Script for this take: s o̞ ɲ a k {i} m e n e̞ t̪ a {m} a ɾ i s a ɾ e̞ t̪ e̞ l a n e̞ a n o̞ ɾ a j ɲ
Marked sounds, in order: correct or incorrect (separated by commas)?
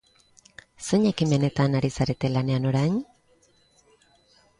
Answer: correct, incorrect